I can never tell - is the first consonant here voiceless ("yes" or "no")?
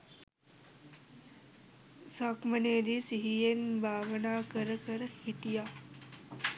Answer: yes